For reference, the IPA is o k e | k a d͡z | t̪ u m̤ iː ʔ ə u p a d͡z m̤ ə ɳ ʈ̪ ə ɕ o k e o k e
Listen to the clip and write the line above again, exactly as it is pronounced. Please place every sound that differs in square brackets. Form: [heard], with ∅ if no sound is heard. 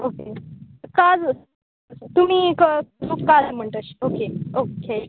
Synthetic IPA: o k e | k a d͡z | t̪ u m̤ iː [k] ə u [k] a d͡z m̤ ə ɳ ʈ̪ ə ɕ o k e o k e